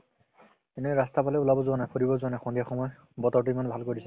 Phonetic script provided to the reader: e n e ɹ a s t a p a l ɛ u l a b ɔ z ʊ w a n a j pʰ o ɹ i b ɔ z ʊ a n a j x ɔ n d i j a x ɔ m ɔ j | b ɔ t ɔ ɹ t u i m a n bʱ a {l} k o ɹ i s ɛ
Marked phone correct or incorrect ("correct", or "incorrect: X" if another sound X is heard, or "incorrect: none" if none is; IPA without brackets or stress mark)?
correct